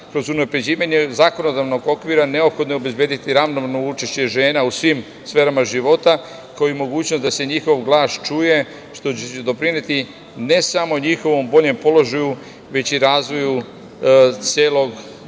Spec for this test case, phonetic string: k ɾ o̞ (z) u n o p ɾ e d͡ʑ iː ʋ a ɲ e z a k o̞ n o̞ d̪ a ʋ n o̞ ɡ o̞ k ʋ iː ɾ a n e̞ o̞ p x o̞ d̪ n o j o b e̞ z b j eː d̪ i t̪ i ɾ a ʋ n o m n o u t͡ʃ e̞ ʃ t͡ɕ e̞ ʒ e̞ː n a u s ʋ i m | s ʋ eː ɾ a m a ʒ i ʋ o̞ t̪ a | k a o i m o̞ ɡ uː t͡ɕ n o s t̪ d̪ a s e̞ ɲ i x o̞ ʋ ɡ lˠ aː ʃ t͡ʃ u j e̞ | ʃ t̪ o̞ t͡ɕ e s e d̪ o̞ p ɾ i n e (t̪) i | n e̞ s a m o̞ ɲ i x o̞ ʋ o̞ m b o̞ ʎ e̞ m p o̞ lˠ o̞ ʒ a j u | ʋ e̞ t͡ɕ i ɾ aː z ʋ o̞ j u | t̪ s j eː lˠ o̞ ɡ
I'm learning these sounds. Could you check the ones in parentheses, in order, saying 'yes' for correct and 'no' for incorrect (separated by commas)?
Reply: yes, yes